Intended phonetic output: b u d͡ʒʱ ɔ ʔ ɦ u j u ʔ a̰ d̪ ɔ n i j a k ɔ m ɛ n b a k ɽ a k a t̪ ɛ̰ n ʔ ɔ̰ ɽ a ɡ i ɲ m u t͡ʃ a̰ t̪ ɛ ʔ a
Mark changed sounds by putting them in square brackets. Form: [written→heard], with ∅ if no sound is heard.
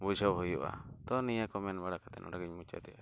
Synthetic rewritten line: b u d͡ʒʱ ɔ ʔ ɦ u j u ʔ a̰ [d̪→t̪] ɔ n i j a k ɔ m ɛ n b a [k→∅] ɽ a k a t̪ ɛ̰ n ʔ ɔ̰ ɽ a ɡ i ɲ m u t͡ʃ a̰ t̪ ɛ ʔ a